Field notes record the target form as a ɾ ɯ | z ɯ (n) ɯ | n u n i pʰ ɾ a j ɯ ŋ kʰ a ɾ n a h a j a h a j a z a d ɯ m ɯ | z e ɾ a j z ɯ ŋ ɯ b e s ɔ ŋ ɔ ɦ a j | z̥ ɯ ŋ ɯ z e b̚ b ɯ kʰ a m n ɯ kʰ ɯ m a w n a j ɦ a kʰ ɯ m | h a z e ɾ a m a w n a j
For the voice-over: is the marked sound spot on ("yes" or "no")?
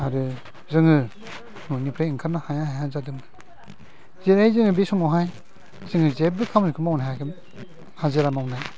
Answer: no